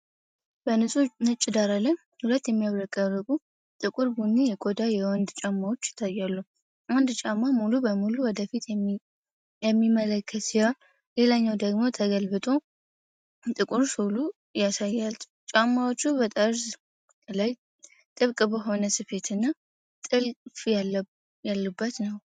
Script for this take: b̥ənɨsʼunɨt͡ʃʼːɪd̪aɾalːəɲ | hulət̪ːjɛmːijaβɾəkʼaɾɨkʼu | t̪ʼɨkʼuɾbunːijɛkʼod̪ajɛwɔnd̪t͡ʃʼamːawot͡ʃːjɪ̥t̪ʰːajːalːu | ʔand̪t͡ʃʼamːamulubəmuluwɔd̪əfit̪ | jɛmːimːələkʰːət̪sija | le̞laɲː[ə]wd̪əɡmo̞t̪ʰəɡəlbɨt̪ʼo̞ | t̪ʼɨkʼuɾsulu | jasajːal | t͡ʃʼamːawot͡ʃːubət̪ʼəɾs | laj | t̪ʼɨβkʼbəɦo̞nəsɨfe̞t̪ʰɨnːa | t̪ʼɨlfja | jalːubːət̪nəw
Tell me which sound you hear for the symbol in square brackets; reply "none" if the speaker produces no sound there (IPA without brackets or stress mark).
a